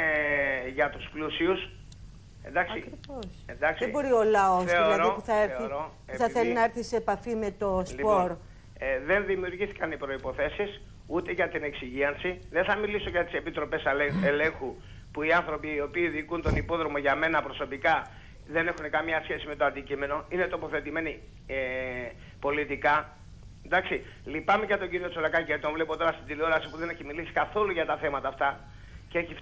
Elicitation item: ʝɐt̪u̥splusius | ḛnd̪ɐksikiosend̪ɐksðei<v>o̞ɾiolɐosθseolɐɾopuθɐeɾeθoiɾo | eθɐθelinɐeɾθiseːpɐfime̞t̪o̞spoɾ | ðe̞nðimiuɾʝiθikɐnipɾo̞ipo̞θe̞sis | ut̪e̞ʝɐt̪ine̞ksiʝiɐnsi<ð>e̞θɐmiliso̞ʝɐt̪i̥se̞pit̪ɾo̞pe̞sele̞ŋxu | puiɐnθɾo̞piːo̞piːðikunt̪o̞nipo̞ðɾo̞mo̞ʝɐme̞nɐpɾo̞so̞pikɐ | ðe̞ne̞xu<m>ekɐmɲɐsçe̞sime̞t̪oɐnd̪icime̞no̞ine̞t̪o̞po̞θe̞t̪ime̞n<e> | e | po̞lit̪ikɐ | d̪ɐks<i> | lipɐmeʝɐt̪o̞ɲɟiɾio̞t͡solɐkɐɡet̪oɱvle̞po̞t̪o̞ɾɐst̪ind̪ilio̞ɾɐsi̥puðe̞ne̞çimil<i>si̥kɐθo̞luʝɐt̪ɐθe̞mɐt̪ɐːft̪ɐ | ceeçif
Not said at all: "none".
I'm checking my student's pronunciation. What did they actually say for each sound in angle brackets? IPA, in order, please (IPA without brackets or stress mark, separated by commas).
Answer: b, ð, n, i, i, i